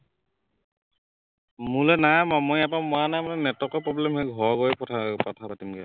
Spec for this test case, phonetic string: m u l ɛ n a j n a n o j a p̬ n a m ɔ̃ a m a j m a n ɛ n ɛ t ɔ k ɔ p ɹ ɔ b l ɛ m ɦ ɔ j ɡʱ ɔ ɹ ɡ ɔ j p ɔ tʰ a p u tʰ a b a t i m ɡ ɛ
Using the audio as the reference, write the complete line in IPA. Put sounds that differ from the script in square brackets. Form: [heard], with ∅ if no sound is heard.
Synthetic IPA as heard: m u l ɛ n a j [m] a [m] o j a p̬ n a m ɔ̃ a [n] a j m a n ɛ n ɛ t ɔ k ɔ p ɹ ɔ b l ɛ m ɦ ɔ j ɡʱ ɔ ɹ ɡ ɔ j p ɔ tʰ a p [ɔ] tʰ a [p] a t i m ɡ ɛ